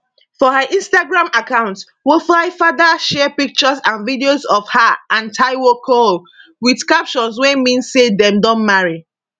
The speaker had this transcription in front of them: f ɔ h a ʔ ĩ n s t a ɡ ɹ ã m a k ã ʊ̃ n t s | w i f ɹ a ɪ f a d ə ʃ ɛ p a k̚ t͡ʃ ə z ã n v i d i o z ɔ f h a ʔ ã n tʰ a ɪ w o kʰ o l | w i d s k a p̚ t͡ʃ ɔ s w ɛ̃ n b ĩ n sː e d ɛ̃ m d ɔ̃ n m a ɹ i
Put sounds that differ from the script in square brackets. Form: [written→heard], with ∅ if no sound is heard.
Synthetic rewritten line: f ɔ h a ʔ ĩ n s t a ɡ ɹ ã m a k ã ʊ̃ n t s | w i f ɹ a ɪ f a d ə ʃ ɛ p [a→i] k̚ t͡ʃ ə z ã n v i d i o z ɔ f h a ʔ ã n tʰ a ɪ w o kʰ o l | w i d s k a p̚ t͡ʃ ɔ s w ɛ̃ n [b→m] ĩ n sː e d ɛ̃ m d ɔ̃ n m a ɹ i